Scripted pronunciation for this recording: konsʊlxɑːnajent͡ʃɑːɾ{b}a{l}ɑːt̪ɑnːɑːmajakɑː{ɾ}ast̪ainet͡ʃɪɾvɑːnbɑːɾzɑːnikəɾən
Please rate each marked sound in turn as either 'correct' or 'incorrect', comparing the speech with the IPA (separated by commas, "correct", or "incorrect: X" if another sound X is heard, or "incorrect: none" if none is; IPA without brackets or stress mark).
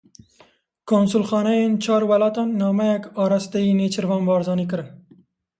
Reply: incorrect: w, correct, correct